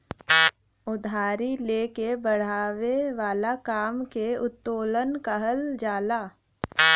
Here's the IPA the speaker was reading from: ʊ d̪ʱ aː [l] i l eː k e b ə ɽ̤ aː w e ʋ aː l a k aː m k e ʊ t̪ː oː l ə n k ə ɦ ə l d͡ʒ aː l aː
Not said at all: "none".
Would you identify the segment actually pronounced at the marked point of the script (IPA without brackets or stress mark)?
ɾ